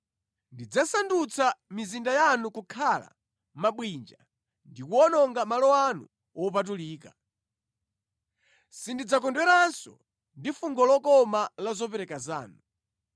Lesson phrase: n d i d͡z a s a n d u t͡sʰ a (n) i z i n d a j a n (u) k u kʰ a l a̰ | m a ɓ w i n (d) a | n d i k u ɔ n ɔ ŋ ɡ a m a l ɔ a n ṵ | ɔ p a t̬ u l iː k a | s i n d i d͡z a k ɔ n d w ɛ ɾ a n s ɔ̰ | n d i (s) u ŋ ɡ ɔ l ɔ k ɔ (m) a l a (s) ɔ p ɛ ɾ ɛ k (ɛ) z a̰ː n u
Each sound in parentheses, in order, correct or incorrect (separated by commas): incorrect, correct, incorrect, incorrect, correct, incorrect, incorrect